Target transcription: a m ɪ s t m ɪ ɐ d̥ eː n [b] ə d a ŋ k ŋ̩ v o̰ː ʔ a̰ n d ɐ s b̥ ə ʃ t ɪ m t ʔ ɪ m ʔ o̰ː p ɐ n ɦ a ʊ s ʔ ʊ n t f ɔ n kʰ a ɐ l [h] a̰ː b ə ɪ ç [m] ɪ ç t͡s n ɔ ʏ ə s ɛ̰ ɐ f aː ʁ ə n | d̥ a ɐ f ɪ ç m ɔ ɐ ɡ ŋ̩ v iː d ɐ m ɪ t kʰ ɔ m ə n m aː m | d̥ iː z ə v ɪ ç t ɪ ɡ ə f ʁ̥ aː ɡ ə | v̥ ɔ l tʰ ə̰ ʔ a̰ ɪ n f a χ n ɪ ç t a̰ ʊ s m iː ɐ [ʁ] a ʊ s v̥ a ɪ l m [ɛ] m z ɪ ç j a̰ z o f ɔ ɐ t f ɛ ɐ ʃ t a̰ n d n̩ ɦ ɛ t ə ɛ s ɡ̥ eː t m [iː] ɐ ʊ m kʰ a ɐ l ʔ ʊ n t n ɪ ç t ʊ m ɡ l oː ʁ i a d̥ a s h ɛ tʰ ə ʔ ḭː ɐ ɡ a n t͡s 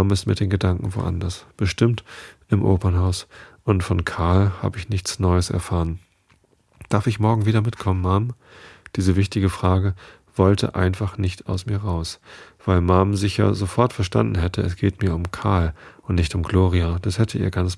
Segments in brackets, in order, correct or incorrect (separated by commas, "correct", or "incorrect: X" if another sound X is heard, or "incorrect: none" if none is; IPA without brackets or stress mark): incorrect: ɡ, correct, incorrect: n, correct, incorrect: a, correct